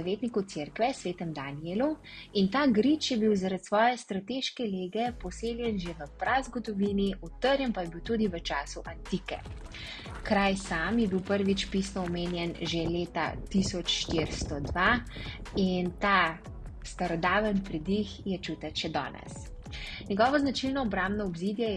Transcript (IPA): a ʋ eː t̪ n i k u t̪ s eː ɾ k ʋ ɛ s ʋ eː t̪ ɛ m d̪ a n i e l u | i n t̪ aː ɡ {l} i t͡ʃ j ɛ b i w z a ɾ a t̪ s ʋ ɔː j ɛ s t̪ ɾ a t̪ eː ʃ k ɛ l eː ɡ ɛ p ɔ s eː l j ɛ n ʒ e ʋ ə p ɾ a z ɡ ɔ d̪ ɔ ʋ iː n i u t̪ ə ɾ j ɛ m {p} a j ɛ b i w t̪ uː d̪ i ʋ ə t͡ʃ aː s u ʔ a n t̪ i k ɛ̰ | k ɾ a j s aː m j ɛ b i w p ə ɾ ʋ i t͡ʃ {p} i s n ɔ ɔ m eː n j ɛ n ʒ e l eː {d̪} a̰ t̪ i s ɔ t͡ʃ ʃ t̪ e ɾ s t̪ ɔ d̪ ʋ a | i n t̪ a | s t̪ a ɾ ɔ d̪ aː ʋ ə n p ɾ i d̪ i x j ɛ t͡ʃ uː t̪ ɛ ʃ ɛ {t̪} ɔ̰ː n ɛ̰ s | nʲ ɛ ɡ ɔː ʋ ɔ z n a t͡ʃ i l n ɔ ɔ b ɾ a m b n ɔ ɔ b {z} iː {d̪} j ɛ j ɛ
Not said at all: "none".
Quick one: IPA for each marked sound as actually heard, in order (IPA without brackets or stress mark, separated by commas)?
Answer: ɾ, p, p, t̪, d̪, z, d̪